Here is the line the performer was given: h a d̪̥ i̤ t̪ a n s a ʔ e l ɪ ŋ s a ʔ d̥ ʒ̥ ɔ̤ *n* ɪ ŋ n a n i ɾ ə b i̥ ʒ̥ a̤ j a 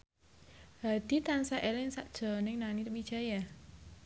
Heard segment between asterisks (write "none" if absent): n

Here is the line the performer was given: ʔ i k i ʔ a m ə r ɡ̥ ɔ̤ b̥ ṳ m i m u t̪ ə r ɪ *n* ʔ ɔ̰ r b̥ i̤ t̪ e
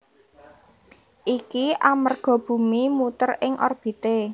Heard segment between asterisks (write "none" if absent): ŋ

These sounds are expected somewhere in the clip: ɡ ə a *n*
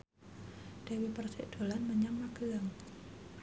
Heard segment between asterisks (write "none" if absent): ŋ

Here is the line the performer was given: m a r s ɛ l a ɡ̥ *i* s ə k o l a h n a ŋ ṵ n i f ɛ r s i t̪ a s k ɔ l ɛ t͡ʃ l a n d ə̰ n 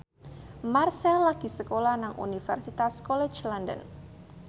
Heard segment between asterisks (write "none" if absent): i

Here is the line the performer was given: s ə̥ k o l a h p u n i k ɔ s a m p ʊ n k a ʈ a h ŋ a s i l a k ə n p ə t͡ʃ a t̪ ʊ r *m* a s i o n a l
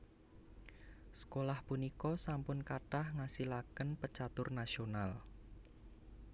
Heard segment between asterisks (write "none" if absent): n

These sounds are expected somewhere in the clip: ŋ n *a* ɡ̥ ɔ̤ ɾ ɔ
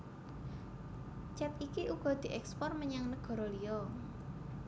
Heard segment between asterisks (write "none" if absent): ə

